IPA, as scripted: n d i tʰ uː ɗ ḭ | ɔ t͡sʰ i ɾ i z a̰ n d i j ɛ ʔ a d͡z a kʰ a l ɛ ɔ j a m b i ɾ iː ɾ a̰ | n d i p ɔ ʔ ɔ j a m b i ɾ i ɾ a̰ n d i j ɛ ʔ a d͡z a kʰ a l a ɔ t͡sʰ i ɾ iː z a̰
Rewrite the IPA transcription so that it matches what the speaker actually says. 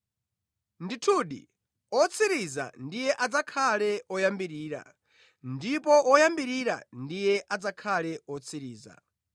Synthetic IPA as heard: n d i tʰ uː ɗ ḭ | ɔ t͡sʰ i ɾ i z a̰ n d i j ɛ ʔ a d͡z a kʰ a l ɛ ɔ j a m b i ɾ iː ɾ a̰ | n d i p ɔ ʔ ɔ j a m b i ɾ i ɾ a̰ n d i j ɛ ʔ a d͡z a kʰ a l ɛ ɔ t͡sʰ i ɾ iː z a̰